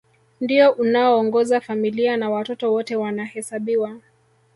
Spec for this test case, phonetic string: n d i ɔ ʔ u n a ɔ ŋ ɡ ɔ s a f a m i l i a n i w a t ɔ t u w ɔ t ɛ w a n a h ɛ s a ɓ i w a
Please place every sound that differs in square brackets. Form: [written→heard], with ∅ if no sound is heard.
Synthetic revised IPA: n d i ɔ ʔ u n a [ɔ→ɔː] ŋ ɡ ɔ [s→z] a f a m i l i a n [i→a] w a t ɔ t [u→ɔ] w ɔ t ɛ w a n a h ɛ s a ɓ i w a